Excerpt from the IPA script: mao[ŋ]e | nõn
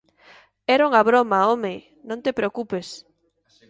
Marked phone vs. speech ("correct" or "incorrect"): incorrect